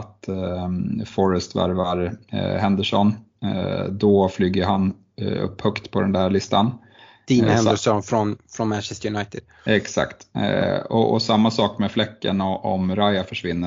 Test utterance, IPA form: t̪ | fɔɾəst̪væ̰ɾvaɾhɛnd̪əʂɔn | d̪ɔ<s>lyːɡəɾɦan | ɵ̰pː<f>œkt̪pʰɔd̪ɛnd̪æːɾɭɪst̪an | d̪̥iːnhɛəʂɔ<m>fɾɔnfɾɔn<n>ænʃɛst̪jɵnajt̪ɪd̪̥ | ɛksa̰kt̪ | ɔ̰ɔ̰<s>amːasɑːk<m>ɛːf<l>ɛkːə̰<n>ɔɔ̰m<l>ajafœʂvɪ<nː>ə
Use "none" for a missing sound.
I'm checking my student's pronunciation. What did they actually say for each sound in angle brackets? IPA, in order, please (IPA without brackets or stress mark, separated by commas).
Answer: f, h, n, m, s, m, l, n, ɾ, nː